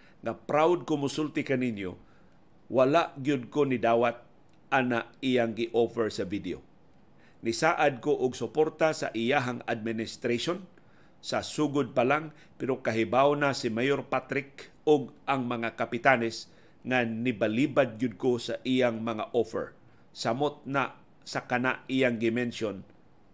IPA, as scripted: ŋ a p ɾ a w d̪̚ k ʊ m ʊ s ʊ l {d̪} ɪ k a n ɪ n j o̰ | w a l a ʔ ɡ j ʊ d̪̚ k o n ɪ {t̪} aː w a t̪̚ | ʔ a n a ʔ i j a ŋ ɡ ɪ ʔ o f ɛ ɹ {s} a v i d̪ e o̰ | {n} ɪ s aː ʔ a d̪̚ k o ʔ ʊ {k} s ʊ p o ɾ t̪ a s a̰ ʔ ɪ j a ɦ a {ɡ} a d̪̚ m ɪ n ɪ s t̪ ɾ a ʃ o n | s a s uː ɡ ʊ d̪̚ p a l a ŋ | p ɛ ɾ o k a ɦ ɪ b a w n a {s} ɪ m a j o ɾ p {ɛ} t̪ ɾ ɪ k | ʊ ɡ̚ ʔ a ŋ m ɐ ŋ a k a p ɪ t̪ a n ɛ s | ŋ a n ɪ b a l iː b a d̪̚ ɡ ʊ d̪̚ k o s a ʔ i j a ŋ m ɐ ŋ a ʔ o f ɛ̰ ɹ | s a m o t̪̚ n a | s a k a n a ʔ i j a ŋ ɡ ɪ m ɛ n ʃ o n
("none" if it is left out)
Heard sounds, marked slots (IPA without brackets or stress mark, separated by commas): t̪, d̪, s, n, ɡ, ŋ, s, a